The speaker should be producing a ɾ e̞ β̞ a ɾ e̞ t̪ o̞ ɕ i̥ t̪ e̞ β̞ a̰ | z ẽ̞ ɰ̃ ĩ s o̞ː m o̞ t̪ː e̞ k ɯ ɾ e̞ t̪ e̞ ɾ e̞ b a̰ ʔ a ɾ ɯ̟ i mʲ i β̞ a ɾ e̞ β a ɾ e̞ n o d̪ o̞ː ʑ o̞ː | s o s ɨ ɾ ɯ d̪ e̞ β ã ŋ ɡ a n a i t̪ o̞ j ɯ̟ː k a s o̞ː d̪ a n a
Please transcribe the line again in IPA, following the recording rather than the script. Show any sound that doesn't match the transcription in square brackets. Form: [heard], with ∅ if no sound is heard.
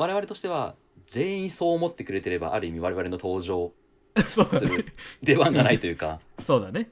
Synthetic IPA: a ɾ e̞ β̞ a ɾ e̞ t̪ o̞ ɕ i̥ t̪ e̞ β̞ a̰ | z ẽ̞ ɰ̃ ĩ s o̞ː m o̞ t̪ː e̞ k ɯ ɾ e̞ t̪ e̞ ɾ e̞ b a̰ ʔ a ɾ ɯ̟ i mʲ i β̞ a ɾ e̞ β a ɾ e̞ n o [t̪] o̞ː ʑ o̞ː | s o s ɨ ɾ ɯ d̪ e̞ β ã ŋ ɡ a n a i t̪ o̞ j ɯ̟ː k a s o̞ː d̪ a n [e]